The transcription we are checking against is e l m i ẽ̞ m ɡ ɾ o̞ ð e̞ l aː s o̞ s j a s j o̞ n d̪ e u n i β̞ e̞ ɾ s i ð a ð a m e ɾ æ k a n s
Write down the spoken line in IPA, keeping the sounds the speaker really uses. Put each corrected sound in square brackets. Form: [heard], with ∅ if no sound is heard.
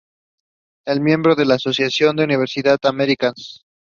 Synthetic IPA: e l m [j] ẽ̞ m [b] ɾ o̞ ð e̞ l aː s o̞ s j a s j o̞ n d̪ e u n i β̞ e̞ ɾ s i ð a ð a m e ɾ [i] k a n s